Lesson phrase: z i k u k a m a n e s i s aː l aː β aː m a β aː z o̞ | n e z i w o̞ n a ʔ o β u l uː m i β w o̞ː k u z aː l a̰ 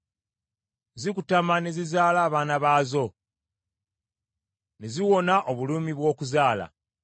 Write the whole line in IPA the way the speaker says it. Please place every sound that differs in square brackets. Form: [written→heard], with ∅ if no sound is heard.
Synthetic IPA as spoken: z i k u [k→t] a m a n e [s→z] i [s→z] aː l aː β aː [m→n] a β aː z o̞ | n e z i w o̞ n a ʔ o β u l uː m i β w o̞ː k u z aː l a̰